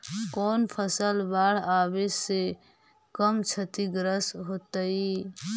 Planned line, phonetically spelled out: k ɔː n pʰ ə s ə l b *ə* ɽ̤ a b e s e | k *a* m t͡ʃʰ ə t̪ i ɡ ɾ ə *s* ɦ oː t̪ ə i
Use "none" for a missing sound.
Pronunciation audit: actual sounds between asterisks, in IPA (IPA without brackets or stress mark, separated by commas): a, ə, s